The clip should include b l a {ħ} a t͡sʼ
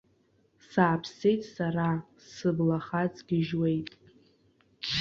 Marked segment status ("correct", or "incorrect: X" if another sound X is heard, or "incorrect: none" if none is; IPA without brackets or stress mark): incorrect: χ